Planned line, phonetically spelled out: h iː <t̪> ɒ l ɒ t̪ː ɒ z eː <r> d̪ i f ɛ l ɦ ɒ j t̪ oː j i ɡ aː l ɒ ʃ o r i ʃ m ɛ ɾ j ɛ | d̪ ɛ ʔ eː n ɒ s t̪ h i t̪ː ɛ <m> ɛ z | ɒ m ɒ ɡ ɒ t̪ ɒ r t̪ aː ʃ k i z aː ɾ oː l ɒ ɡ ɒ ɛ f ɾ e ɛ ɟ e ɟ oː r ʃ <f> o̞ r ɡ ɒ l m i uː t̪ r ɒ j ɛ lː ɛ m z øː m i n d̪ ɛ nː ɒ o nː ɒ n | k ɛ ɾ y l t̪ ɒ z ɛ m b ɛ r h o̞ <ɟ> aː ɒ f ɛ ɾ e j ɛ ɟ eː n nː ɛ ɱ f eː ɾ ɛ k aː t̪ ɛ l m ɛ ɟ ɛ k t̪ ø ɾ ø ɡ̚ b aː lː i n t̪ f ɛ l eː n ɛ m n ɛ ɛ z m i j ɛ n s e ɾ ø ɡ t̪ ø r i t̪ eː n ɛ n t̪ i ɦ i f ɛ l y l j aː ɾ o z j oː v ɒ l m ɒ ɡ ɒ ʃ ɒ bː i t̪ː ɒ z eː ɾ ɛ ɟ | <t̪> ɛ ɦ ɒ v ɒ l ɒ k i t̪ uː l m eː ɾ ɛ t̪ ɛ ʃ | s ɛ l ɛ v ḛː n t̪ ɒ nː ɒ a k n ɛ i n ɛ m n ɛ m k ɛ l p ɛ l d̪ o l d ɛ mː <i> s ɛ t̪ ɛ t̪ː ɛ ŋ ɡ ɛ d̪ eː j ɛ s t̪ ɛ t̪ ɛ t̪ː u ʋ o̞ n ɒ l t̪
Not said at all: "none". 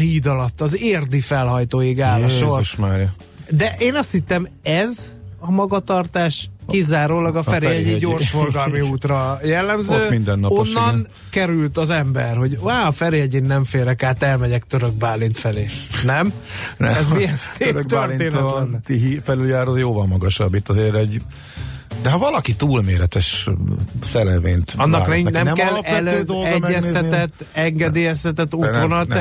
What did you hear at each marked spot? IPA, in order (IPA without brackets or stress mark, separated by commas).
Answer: d̪, r, m, f, ɟ, d̪, ɛ